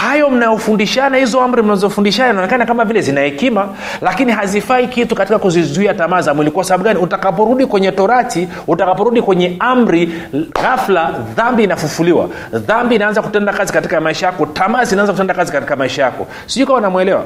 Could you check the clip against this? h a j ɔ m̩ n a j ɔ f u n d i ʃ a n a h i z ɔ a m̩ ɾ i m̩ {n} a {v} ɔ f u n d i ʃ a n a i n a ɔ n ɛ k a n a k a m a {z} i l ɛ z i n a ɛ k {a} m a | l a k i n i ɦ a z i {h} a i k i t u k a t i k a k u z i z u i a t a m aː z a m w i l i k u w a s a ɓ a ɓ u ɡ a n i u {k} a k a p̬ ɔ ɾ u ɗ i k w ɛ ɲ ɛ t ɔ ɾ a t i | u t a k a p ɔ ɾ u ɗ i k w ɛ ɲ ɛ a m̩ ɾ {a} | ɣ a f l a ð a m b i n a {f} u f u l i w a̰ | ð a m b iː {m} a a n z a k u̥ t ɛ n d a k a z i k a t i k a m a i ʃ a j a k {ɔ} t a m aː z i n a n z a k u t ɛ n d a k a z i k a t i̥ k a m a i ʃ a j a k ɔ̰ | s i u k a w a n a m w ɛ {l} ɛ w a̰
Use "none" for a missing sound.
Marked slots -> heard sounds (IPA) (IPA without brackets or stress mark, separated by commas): n, z, v, i, f, t, i, f, n, ɔ, l